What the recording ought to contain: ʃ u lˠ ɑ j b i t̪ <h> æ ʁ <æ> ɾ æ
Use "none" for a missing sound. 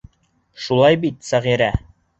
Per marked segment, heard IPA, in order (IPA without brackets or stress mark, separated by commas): s, i